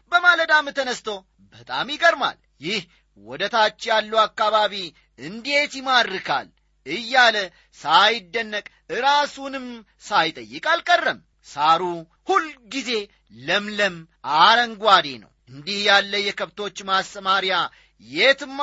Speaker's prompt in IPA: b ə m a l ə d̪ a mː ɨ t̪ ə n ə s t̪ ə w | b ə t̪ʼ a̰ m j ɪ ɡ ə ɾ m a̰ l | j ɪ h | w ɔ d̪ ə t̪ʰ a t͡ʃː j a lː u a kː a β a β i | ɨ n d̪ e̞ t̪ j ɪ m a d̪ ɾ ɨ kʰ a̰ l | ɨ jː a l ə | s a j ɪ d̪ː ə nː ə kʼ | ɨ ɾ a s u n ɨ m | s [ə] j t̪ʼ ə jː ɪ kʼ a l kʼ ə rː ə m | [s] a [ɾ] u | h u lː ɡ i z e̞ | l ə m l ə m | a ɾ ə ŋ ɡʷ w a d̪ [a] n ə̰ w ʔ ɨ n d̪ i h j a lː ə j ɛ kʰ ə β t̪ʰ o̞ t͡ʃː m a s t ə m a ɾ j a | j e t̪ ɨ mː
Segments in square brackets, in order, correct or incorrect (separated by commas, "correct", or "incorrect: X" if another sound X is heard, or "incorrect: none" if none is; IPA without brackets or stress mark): incorrect: a, correct, correct, incorrect: e